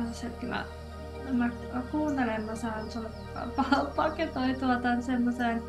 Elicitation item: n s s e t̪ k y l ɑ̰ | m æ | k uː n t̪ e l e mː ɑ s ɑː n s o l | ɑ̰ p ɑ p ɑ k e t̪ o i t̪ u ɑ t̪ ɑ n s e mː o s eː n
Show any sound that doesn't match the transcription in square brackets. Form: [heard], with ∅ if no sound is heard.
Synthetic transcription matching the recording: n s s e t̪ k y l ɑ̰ | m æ | k uː n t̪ e l e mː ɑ s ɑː n s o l | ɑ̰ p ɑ p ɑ k e t̪ o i t̪ u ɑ t̪ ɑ n s e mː o s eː n